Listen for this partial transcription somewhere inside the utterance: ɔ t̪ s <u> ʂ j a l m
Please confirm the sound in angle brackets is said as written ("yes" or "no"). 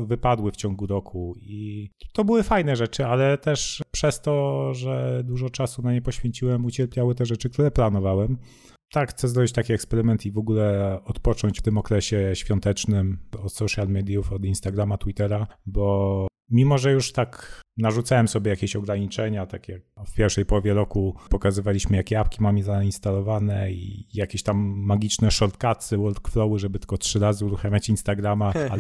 no